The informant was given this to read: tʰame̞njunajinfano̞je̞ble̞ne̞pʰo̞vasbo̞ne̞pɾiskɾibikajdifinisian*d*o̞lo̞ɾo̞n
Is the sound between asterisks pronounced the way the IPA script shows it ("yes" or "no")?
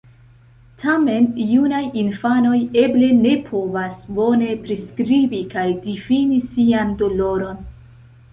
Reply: yes